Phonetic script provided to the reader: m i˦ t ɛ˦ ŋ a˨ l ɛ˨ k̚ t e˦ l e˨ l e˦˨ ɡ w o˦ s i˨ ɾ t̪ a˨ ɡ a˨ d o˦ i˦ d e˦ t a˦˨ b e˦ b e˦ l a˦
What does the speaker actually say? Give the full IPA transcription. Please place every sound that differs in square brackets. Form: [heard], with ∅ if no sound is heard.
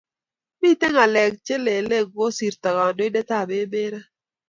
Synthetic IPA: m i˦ t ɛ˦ ŋ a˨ l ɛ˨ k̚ [t͡ʃ] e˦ l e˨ l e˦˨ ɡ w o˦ s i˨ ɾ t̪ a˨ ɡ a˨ d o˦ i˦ d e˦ t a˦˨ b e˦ b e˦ [ɾ] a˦